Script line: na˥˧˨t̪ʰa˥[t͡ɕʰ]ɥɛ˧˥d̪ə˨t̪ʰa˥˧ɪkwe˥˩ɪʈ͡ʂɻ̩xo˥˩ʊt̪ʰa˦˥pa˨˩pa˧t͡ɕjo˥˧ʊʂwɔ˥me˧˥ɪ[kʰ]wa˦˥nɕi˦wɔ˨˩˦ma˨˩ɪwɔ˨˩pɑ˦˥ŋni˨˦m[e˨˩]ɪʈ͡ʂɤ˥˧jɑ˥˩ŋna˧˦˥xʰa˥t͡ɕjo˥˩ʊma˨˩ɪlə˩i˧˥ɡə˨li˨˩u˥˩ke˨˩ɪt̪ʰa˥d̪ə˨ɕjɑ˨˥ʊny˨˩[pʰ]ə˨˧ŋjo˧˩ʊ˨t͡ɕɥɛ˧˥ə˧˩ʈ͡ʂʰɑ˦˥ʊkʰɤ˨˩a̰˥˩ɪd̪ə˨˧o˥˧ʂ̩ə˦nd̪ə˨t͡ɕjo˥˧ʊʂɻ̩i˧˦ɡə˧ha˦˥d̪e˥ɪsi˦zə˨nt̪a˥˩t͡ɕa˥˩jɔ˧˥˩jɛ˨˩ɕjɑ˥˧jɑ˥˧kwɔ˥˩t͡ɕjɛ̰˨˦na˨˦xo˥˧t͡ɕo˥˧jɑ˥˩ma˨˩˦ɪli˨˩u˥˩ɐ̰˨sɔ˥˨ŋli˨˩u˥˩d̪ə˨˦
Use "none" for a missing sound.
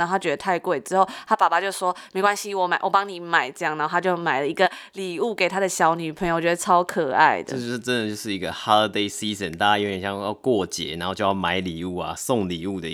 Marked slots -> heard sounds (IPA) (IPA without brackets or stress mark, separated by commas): t͡ɕ, k, a˨˩, pʰ